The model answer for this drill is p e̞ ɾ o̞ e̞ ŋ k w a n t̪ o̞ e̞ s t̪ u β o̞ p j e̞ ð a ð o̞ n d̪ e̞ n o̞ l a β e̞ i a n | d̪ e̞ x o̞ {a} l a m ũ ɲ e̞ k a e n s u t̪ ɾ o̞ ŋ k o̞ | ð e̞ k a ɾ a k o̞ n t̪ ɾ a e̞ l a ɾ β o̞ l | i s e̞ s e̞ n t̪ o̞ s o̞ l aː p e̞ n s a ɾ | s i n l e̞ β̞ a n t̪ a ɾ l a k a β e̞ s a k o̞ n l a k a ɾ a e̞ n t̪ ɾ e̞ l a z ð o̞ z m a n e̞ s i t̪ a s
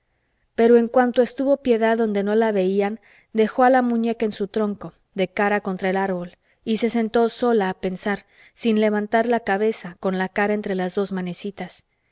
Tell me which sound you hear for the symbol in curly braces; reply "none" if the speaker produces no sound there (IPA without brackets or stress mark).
a